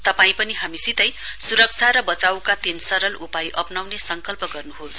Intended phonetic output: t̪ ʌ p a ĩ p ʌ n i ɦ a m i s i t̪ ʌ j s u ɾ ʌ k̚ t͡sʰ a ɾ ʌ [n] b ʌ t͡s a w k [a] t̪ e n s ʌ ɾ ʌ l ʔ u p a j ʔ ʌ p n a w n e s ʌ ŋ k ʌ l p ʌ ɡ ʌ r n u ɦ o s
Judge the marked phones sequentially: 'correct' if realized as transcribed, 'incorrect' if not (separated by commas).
incorrect, correct